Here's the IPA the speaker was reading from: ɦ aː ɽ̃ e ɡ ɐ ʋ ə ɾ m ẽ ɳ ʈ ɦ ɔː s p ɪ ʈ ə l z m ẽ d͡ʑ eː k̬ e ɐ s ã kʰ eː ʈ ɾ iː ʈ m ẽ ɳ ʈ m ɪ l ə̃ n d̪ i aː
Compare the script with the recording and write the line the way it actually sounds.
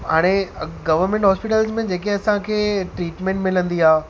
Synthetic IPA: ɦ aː ɽ̃ e ɡ ɐ ʋ ə ɾ m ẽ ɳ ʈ ɦ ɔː s p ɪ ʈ ə l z m ẽ d͡ʑ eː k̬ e ɐ s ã kʰ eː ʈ ɾ iː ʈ m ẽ ɳ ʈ m ɪ l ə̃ n d̪ i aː